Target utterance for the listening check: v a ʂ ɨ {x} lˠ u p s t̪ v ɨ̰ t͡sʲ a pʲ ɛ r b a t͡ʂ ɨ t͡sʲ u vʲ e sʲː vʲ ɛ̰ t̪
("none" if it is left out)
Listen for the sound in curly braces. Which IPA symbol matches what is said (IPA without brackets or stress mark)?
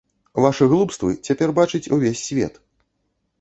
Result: ɣ